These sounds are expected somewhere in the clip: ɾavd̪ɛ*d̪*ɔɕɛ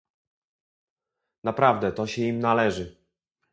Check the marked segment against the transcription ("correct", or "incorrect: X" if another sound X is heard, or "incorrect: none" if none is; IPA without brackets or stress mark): incorrect: t̪